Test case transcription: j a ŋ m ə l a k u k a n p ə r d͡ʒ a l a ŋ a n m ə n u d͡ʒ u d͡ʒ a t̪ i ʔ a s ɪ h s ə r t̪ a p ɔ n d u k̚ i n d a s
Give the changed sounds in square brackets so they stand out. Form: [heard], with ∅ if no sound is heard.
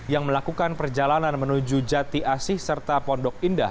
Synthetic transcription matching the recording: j a ŋ m ə l a k u k a n p ə r d͡ʒ a l a [n] a n m ə n u d͡ʒ u d͡ʒ a t̪ i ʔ a s ɪ h s ə r t̪ a p ɔ n d [ɔ] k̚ i n d a [h]